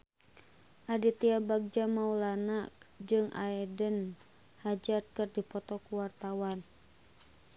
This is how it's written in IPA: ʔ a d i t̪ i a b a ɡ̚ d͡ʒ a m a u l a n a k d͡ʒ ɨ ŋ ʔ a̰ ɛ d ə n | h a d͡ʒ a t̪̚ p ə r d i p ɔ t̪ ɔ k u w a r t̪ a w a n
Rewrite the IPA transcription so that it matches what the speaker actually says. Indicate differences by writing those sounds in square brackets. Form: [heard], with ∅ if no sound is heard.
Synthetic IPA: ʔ a d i t̪ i a b a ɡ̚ d͡ʒ a m a u l a n a k d͡ʒ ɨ ŋ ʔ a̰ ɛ d ə n | h a d͡ʒ a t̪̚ [k] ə r d i p ɔ t̪ ɔ k u w a r t̪ a w a n